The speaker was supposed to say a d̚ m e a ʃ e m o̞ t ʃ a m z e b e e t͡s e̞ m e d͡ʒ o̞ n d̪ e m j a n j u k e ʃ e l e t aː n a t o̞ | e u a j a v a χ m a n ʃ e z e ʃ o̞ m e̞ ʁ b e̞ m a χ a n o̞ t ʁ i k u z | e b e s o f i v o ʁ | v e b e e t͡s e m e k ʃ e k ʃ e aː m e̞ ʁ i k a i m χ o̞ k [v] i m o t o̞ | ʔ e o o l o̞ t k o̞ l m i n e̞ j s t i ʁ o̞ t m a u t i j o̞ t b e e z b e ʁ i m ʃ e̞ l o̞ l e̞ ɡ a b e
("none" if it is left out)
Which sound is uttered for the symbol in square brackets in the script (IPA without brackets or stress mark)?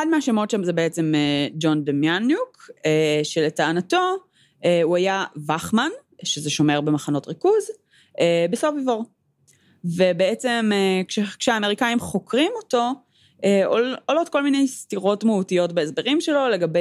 ʁ